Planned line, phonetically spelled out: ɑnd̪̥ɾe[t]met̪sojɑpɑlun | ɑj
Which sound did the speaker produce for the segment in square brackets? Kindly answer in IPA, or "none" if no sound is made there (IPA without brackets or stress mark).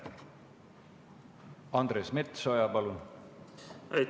s